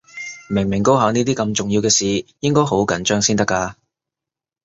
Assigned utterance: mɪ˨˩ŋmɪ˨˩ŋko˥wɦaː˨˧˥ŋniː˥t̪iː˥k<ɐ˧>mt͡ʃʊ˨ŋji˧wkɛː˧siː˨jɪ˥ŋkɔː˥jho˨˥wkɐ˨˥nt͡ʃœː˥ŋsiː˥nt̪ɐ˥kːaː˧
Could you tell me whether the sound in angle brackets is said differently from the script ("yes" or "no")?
no